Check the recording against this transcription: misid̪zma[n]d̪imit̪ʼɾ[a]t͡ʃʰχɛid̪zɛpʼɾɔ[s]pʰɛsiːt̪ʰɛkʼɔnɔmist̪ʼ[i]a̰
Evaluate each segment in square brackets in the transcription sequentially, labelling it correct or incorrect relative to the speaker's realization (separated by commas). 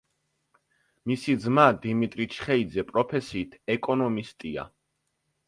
incorrect, incorrect, incorrect, correct